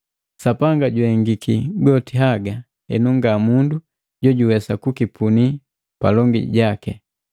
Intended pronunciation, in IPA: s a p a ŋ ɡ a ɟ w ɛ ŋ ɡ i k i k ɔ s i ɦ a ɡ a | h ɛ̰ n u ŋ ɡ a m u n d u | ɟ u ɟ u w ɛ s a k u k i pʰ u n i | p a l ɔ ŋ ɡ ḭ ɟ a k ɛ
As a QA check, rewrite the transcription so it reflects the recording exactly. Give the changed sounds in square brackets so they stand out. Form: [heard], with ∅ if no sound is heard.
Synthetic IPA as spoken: s a p a ŋ ɡ a ɟ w ɛ ŋ ɡ i k i [ɡ] ɔ [t] i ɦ a ɡ a | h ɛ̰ n u ŋ ɡ a m u n d u | ɟ [ɔ] ɟ u w ɛ s a k u k i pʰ u n i | p a l ɔ ŋ ɡ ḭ ɟ a k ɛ